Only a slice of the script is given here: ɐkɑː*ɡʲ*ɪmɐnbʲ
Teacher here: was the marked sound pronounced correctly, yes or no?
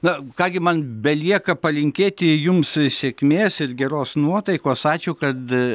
yes